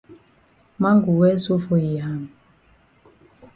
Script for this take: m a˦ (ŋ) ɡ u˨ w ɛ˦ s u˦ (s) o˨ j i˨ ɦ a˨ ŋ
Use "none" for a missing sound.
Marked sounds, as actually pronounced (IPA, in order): ŋ, f

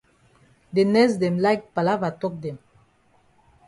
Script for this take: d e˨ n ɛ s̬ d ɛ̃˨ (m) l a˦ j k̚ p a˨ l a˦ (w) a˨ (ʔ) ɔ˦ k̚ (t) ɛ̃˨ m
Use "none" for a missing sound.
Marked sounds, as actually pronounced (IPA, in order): m, v, t, d

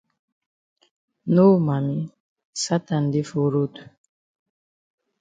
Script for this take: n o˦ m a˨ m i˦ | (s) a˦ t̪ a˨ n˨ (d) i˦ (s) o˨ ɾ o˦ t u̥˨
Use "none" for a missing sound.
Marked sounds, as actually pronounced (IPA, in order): s, d, f

